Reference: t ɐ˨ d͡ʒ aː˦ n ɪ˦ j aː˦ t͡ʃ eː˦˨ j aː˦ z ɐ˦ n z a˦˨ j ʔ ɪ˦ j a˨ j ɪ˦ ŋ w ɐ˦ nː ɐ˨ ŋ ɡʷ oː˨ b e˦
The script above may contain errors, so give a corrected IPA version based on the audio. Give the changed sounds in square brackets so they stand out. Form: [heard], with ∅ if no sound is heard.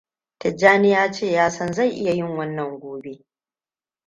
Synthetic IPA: t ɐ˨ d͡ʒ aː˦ n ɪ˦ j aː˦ t͡ʃ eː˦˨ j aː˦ [s] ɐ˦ n z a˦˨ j ʔ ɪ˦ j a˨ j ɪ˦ ŋ w ɐ˦ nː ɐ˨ ŋ ɡʷ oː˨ b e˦